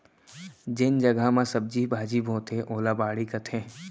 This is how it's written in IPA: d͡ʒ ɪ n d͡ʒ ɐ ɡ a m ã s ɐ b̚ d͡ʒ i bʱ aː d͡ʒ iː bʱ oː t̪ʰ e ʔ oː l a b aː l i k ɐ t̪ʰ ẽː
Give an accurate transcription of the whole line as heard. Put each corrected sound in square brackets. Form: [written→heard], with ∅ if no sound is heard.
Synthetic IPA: d͡ʒ ɪ n d͡ʒ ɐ ɡ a m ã s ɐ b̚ d͡ʒ i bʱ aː d͡ʒ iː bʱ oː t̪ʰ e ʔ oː l a b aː [l→ɽ] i k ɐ t̪ʰ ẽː